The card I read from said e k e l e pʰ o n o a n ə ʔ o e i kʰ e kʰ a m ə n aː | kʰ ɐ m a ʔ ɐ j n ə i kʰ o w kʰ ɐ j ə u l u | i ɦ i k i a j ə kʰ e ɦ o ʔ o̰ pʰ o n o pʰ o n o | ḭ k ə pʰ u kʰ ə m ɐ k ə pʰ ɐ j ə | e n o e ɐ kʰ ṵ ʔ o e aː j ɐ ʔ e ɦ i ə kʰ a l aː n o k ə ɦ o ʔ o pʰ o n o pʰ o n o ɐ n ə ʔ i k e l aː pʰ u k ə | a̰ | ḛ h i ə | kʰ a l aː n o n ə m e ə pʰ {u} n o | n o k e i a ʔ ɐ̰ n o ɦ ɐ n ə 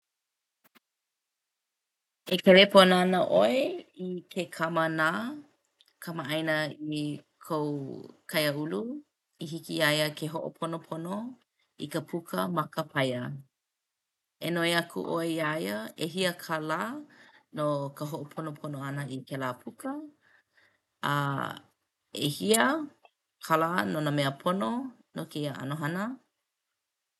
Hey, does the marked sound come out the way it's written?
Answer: no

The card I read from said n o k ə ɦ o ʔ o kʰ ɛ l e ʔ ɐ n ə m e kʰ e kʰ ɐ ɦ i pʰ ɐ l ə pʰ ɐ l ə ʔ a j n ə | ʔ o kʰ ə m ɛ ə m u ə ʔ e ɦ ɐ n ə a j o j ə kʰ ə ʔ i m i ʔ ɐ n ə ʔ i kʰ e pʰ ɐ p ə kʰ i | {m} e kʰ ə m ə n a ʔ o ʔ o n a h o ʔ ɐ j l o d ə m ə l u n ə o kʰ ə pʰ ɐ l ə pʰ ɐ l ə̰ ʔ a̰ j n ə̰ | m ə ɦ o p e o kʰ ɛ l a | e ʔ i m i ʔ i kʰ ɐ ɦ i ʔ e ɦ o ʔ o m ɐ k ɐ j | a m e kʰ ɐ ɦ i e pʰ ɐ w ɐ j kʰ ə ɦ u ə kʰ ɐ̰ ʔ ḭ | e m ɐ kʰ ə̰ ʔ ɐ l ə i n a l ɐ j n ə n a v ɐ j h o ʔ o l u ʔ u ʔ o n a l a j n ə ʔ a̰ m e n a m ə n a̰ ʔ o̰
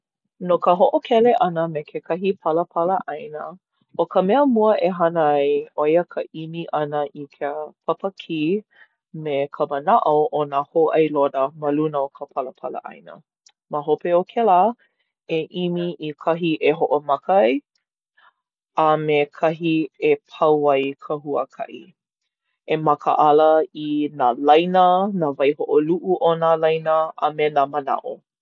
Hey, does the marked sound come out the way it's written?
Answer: yes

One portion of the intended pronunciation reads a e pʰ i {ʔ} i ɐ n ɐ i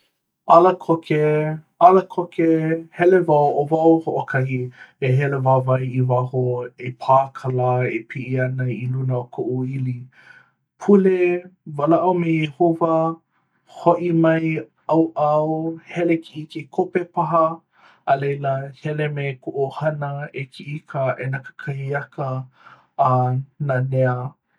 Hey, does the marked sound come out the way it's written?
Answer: yes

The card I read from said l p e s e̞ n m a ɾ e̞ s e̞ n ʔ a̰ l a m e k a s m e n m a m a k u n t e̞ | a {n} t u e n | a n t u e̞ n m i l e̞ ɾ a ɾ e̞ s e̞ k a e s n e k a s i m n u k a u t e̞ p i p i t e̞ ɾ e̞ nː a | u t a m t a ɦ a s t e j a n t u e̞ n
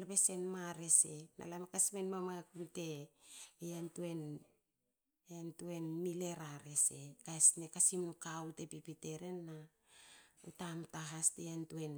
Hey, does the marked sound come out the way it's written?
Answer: yes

